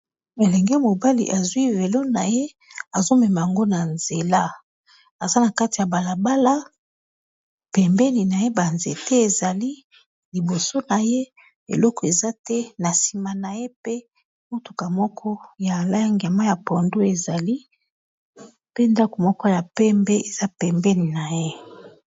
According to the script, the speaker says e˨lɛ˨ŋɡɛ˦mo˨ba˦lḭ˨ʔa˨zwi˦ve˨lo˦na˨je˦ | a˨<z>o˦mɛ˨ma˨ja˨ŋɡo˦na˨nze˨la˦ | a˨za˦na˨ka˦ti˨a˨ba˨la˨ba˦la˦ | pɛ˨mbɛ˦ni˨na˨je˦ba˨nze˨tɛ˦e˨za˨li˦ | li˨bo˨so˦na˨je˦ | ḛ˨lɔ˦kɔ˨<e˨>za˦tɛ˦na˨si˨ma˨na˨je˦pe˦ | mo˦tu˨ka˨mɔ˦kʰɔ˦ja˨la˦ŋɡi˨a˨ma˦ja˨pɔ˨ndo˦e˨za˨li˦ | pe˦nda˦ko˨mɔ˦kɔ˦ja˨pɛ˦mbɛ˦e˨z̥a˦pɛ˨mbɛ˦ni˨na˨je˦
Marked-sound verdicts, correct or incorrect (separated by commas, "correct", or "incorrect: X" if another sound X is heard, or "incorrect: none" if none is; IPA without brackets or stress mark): correct, correct